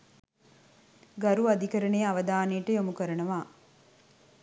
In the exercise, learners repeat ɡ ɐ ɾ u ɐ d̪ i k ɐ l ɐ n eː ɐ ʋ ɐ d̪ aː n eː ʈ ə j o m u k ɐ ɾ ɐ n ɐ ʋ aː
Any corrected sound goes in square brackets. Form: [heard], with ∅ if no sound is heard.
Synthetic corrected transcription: ɡ ɐ ɾ u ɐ d̪ i k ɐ [ɾ] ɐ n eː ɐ ʋ ɐ d̪ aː n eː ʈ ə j o m u k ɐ ɾ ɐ n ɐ ʋ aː

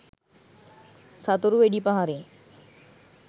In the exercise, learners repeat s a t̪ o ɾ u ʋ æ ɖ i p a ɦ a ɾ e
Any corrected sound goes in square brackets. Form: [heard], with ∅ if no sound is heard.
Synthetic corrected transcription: s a t̪ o ɾ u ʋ [e] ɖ i p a ɦ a ɾ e

